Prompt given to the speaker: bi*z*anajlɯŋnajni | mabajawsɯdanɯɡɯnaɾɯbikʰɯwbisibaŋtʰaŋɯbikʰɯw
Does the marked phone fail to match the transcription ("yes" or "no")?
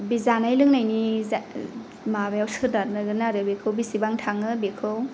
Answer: no